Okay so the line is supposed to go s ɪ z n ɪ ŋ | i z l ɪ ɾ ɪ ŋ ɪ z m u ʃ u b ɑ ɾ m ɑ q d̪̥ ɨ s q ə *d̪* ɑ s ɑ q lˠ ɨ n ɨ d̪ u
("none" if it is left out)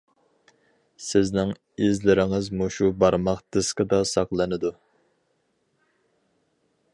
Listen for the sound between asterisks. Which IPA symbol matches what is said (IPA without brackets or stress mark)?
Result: d̪